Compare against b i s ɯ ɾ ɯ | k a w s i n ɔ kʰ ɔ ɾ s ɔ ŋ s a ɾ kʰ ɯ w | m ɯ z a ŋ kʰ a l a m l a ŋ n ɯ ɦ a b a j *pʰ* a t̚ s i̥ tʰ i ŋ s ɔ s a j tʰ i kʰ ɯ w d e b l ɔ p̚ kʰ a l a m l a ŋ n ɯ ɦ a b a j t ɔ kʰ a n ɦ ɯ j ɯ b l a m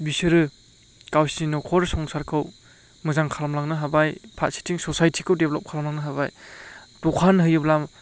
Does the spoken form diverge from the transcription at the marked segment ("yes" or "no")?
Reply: no